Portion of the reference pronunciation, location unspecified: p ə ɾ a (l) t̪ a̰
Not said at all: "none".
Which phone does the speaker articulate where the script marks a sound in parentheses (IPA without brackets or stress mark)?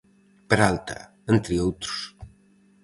l